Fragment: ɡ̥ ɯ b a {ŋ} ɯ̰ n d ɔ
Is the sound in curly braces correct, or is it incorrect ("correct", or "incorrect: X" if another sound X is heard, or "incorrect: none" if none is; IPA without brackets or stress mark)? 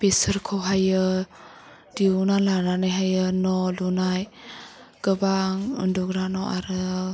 correct